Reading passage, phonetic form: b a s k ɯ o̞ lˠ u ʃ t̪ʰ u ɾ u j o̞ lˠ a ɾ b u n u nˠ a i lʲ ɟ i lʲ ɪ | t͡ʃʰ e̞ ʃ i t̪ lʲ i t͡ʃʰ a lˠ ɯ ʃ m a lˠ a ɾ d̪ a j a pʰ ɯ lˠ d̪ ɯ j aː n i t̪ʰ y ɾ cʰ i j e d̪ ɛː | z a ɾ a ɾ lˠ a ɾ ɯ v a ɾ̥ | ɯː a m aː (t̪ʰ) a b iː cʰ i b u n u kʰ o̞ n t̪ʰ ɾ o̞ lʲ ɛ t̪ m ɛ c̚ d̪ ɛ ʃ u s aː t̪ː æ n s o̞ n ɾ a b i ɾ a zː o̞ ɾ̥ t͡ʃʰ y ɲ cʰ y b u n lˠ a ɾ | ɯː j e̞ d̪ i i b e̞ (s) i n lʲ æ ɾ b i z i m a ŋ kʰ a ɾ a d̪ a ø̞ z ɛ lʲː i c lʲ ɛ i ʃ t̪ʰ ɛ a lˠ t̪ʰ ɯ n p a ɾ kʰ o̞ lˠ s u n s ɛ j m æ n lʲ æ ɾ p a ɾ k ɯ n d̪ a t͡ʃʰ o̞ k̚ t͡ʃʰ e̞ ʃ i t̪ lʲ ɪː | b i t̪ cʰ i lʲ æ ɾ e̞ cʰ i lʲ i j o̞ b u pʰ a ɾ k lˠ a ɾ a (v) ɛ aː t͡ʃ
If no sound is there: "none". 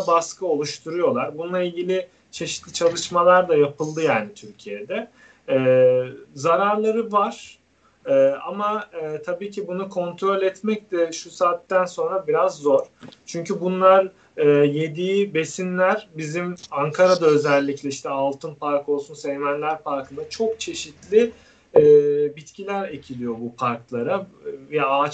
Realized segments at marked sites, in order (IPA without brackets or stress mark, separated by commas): t̪ʰ, s, v